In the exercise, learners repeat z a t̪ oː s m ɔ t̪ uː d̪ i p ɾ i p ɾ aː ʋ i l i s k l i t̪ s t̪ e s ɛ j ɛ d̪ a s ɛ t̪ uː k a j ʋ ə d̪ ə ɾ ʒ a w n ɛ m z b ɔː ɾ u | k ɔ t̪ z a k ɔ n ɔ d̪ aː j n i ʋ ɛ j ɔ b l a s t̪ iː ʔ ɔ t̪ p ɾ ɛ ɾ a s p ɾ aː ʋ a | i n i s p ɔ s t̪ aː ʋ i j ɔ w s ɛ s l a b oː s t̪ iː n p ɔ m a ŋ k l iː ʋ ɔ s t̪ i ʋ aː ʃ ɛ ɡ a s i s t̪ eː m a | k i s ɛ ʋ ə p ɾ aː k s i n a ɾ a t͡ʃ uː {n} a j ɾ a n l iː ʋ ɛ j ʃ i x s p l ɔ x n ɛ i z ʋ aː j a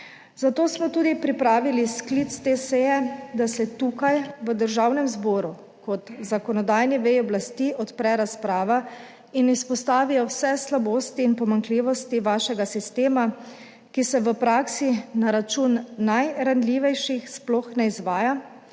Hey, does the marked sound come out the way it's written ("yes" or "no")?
no